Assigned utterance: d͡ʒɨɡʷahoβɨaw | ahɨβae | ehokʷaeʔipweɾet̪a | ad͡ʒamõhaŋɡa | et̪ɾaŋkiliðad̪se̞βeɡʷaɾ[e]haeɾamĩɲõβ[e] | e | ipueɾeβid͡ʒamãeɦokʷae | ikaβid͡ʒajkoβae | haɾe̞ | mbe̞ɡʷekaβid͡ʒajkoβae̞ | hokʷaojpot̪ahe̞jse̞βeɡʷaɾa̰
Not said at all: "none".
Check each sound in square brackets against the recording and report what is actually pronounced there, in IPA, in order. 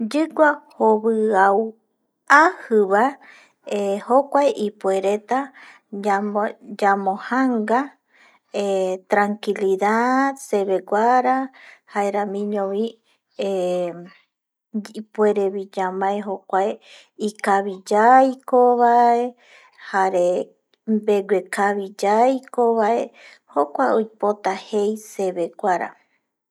a, i

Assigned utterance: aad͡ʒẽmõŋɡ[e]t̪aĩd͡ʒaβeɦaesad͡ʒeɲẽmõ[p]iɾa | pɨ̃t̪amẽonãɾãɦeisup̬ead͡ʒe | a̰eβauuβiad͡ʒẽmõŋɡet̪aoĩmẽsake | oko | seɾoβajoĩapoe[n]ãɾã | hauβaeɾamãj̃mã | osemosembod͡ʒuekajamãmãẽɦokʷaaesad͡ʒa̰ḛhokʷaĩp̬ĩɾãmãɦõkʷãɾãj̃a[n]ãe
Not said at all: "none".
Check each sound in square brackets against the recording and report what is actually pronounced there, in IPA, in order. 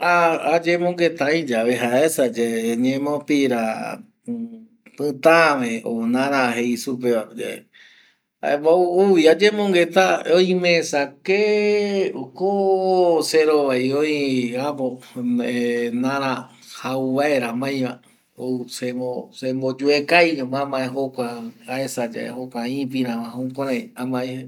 e, p, n, m

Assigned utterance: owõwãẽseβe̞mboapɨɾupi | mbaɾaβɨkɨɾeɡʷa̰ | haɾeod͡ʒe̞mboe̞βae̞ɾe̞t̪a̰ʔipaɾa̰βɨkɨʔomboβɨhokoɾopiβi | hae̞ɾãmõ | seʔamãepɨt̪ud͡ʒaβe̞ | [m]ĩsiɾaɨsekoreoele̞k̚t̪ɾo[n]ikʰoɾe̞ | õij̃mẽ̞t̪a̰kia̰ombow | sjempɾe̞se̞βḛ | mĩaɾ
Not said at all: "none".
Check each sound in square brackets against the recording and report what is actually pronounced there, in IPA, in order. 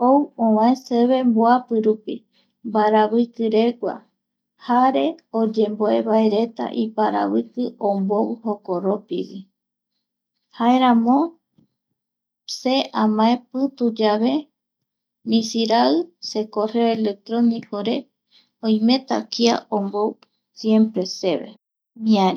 m, n

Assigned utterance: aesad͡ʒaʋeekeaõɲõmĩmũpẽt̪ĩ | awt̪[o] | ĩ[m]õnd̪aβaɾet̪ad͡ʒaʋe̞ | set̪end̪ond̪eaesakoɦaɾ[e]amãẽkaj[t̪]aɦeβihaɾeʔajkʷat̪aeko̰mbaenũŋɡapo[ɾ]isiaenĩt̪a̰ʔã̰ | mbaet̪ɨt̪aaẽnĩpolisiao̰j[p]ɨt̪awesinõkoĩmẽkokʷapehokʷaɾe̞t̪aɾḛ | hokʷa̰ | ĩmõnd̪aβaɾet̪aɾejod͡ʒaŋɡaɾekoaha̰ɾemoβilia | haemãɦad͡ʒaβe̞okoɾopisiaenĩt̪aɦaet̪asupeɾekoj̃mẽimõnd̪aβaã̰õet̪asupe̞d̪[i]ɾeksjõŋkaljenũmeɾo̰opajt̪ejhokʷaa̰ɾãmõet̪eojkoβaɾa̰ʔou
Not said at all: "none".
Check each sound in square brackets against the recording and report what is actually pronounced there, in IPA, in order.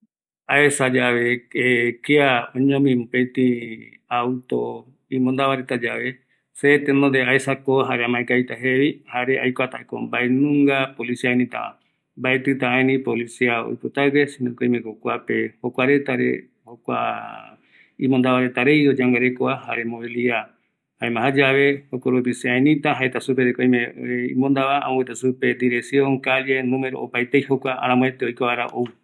o, m, e, t̪, l, p, i

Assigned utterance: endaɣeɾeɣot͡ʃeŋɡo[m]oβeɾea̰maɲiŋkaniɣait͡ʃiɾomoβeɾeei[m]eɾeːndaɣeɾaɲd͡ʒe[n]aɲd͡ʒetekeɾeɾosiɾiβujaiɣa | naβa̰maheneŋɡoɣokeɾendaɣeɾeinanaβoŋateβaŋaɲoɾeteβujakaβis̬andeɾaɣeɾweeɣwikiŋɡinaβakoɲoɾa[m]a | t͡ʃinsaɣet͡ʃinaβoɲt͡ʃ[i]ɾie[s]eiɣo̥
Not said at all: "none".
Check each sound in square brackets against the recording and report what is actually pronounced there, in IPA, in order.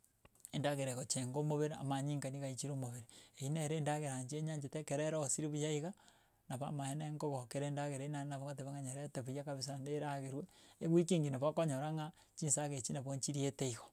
m, n, ɲ, ŋ, i, t

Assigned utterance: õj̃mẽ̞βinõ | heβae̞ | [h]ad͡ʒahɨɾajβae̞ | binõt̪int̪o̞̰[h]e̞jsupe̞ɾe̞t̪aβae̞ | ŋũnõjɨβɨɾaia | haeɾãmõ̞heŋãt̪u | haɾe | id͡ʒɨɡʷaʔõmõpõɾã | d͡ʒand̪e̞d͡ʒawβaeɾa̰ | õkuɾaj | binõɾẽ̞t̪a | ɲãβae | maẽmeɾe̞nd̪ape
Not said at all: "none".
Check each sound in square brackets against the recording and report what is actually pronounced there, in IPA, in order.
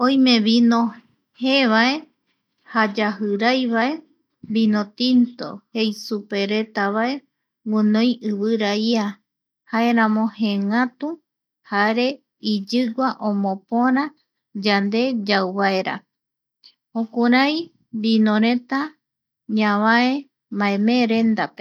h, h

